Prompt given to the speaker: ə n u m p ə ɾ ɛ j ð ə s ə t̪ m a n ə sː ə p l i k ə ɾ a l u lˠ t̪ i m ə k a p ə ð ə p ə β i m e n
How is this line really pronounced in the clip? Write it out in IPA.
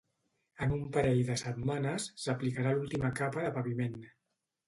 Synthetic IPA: ə n u m p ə ɾ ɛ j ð ə s ə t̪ m a n ə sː ə p l i k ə ɾ a l u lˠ t̪ i m ə k a p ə ð ə p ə β i m e n

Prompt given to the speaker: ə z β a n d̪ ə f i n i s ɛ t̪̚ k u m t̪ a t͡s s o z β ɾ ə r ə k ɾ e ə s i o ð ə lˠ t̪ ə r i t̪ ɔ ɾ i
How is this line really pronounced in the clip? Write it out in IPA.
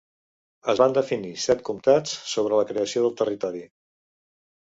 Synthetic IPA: ə z β a n d̪ ə f i n i s ɛ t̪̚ k u m t̪ a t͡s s o β ɾ ə l ə k ɾ e ə s i o ð ə lˠ t̪ ə r i t̪ ɔ ɾ i

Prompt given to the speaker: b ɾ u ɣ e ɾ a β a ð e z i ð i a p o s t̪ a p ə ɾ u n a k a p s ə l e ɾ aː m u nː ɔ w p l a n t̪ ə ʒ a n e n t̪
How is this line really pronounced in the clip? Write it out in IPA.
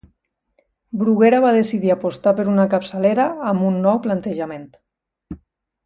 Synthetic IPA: b ɾ u ɣ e ɾ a β a ð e s i ð i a p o s t̪ a p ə ɾ u n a k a p s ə l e ɾ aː m u nː ɔ w p l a n t̪ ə ʒ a m e n t̪

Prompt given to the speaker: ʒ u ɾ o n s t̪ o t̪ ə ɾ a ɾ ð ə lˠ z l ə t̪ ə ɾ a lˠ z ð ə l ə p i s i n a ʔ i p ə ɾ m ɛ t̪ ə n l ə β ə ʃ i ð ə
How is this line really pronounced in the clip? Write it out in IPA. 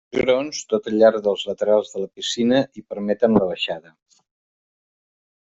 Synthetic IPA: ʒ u ɾ o n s t̪ o t̪ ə ʎ a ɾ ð ə lˠ z l ə t̪ ə ɾ a lˠ z ð ə l ə p i s i n ə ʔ i p ə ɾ m ɛ t̪ ə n l ə β ə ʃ a ð ə

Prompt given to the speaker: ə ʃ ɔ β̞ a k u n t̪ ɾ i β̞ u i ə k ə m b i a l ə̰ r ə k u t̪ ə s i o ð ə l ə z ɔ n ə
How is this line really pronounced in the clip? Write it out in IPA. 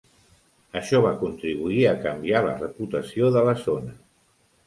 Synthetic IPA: ə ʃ ɔ β̞ a k u n t̪ ɾ i β̞ u i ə k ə m b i a l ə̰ r ə p u t̪ ə s i o ð ə l ə z o n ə

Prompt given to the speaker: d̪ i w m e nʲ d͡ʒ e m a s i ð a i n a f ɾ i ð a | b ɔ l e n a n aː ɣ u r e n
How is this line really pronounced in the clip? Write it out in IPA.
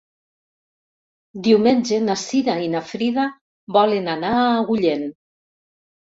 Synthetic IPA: d̪ i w m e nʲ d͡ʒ e n a s i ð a i n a f ɾ i ð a | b ɔ l e n a n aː ɣ u ʎ e n

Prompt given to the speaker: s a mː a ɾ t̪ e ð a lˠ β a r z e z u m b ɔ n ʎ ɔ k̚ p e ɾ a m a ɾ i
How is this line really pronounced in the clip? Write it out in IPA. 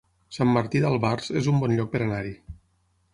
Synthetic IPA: s a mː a ɾ t̪ i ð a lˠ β a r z e z u m b ɔ n ʎ ɔ k̚ p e ɾ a n a ɾ i

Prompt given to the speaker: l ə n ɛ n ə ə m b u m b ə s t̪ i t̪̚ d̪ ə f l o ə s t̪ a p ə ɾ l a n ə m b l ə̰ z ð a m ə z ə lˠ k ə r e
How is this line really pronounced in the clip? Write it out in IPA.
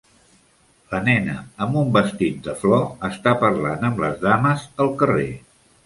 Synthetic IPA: l ə n ɛ n ə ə m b u m b ə s t̪ i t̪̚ d̪ ə f l ɔ ə s t̪ a p ə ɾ l a n ə m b l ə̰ z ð a m ə z ə lˠ k ə r e

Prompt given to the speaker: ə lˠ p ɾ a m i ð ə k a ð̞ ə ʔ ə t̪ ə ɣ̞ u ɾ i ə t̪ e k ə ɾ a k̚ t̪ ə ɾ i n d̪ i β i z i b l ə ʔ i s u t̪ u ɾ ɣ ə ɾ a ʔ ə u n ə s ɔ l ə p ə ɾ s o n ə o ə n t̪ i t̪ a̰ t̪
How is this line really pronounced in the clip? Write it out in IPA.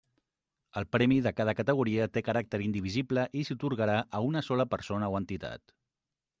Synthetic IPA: ə lˠ p ɾ ɛ m i ð ə k a ð̞ ə k ə t̪ ə ɣ̞ u ɾ i ə t̪ e k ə ɾ a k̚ t̪ ə ɾ i n d̪ i β i z i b l ə ʔ i s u t̪ u ɾ ɣ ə ɾ a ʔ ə u n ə s ɔ l ə p ə ɾ s o n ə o ə n t̪ i t̪ a̰ t̪

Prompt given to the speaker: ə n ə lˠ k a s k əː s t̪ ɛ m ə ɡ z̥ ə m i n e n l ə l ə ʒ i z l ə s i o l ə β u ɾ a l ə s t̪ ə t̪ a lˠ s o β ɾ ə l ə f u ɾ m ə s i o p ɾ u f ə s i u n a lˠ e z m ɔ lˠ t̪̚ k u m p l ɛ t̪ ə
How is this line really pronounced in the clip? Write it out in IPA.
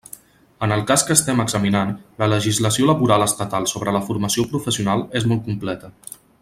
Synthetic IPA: ə n ə lˠ k a s k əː s t̪ ɛ m ə ɡ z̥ ə m i n a n l ə l ə ʒ i z l ə s i o l ə β u ɾ a l ə s t̪ ə t̪ a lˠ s o β ɾ ə l ə f u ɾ m ə s i o p ɾ u f ə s i u n a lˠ e z m ɔ lˠ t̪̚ k u m p l ɛ t̪ ə

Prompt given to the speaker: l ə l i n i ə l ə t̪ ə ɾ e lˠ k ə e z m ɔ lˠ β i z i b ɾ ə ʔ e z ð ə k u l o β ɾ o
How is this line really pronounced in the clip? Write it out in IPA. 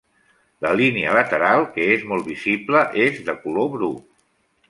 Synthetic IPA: l ə l i n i ə l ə t̪ ə ɾ a lˠ k ə e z m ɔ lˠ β i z i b l ə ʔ e z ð ə k u l o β ɾ u

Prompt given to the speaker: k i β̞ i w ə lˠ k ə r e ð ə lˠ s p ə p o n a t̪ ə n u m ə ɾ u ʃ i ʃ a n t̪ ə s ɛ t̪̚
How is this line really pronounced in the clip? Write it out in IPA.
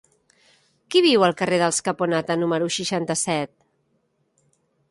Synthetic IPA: k i β̞ i w ə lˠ k ə r e ð ə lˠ s k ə p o n a t̪ ə n u m ə ɾ u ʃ i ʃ a n t̪ ə s ɛ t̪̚

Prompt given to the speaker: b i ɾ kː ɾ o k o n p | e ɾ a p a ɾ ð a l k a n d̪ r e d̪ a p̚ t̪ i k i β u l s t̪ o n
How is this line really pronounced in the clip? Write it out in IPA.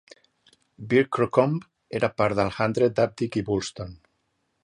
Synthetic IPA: b i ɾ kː ɾ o k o m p | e ɾ a p a ɾ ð a l x a n d̪ ɾ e d̪ a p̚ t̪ i k i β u l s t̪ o n

